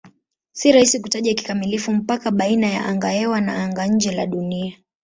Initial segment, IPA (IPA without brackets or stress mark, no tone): s